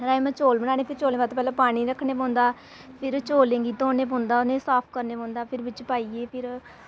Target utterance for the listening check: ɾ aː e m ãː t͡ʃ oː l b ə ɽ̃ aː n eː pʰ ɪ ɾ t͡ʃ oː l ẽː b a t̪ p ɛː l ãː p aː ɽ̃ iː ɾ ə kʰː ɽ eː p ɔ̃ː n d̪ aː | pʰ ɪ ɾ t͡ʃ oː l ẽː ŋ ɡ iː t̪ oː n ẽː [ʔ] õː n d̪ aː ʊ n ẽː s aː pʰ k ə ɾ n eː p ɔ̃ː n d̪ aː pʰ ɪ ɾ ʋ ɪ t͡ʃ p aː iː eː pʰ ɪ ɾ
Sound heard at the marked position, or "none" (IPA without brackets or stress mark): p